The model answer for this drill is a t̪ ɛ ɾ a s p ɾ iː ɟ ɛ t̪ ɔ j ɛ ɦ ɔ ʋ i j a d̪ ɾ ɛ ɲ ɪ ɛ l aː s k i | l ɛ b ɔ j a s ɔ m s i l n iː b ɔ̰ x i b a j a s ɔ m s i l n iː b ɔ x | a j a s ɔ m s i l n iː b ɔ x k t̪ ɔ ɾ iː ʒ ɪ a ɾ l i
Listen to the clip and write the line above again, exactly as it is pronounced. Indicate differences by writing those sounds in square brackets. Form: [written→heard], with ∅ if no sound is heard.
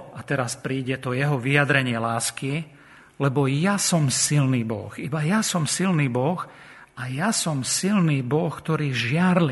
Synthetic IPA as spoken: a t̪ ɛ ɾ a s p ɾ iː ɟ ɛ t̪ ɔ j ɛ ɦ ɔ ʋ i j a d̪ ɾ ɛ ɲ ɪ ɛ l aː s k i | l ɛ b ɔ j a s ɔ m s i l n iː b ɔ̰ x i b a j a s ɔ m s i l n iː b ɔ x | a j a s ɔ m s i l n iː b ɔ x k t̪ ɔ ɾ iː ʒ ɪ a ɾ l i